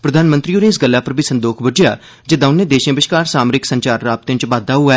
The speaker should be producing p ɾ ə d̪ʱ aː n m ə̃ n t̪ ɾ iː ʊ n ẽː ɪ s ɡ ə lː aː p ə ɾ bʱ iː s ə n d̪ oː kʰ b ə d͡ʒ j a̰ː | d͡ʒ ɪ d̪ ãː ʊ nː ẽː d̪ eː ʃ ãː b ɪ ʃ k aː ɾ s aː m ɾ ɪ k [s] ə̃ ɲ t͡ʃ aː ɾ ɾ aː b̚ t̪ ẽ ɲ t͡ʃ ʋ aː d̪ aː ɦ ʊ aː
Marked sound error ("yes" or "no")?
no